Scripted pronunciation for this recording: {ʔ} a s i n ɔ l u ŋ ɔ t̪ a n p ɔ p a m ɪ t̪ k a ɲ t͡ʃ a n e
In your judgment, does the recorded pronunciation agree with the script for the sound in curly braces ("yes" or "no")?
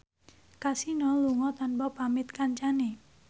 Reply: no